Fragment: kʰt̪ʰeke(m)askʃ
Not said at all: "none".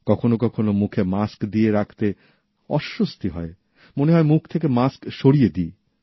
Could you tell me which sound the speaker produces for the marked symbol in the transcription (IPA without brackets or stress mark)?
m